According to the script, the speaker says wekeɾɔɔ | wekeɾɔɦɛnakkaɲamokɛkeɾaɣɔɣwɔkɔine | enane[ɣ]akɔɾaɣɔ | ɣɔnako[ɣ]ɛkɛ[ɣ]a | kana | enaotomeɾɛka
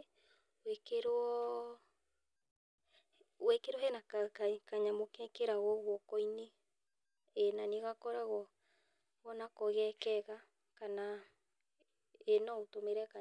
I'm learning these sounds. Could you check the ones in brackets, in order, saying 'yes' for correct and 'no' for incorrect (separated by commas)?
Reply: yes, yes, yes